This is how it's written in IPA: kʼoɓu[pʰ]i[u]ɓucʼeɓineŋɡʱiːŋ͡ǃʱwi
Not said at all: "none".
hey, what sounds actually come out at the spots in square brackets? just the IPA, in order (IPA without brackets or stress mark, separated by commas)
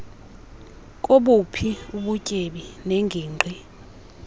pʰ, u